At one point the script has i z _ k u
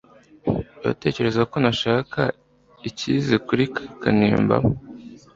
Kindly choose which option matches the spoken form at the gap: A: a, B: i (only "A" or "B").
B